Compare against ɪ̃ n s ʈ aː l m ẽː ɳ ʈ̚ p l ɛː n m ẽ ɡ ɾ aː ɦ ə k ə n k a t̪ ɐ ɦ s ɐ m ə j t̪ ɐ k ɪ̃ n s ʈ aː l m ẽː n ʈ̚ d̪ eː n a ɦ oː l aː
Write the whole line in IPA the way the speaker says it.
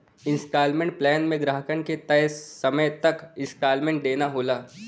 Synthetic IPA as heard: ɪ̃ n s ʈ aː l m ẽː ɳ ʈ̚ p l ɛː n m ẽ ɡ ɾ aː ɦ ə k ə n k e t̪ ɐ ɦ s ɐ m ə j t̪ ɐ k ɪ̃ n s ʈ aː l m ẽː ɳ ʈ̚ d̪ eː n a ɦ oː l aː